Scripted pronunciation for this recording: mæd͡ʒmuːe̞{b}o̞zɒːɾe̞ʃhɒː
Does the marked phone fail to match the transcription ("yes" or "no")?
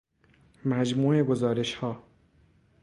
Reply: yes